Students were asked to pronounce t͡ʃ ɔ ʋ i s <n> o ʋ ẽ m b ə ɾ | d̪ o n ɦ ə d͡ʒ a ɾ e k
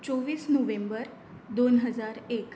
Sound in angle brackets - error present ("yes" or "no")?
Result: no